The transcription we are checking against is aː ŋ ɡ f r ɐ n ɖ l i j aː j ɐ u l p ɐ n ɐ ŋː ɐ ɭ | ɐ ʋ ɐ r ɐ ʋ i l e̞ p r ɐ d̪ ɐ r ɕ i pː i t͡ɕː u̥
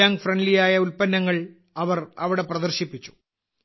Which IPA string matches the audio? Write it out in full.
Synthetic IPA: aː ŋ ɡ f r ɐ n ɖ l i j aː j ɐ u l p ɐ nː ɐ ŋː ɐ ɭ | ɐ ʋ ɐ r ɐ ʋ i ɽ e̞ p r ɐ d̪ ɐ r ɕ i pː i t͡ɕː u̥